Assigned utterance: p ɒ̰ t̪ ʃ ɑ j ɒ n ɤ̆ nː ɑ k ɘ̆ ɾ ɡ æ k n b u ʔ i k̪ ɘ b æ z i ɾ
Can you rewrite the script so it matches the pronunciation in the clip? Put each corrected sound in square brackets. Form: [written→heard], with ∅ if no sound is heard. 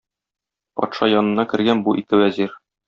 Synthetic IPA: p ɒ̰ t̪ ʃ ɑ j ɒ n ɤ̆ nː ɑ k ɘ̆ ɾ ɡ æ [k→∅] n b u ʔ i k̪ ɘ [b→w] æ z i ɾ